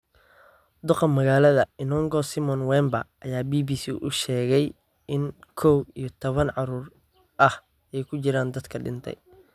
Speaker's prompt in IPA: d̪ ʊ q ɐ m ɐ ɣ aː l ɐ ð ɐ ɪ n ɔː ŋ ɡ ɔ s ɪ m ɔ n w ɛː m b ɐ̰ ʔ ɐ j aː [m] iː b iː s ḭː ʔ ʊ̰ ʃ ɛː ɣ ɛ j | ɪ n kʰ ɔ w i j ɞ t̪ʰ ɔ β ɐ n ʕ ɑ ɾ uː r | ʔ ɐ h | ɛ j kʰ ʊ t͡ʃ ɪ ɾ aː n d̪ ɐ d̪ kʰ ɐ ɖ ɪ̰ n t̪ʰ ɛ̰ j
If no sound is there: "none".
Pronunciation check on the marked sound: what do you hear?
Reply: b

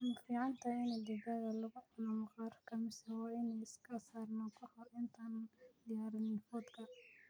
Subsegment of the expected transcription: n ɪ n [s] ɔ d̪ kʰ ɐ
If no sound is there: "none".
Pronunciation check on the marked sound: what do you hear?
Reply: f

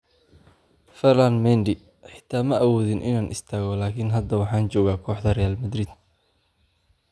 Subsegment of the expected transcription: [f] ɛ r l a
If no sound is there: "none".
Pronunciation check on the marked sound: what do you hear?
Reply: f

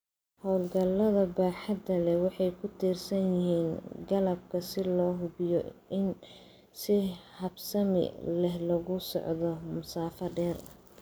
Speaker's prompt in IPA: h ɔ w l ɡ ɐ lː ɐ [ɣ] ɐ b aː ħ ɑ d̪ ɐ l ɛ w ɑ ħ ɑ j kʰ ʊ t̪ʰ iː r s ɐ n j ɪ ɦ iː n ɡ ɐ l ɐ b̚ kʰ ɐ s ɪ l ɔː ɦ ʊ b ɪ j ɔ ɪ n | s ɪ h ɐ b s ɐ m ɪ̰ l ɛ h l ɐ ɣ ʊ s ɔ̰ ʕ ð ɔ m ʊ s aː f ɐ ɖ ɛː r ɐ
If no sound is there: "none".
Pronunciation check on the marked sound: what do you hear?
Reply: ð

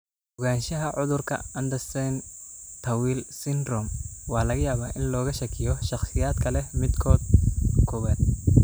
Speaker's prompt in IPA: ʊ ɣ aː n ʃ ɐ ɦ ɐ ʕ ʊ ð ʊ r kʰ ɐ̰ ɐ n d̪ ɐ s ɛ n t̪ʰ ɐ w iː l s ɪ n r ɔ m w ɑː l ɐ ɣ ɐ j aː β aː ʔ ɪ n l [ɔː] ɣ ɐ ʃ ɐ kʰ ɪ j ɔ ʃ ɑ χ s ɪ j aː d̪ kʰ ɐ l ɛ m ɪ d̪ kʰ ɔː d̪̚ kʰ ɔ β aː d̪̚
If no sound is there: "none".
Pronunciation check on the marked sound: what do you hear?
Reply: ɔː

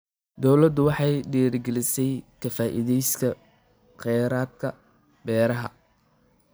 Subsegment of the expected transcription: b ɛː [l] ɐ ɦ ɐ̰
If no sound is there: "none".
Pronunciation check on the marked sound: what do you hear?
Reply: ɾ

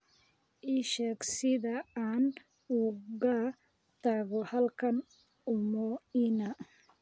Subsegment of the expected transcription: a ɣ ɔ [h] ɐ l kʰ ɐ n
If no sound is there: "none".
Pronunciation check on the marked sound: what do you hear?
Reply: h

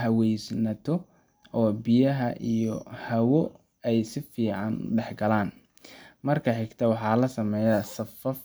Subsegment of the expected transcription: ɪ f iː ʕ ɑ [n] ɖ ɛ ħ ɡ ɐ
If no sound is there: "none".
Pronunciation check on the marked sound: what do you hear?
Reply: n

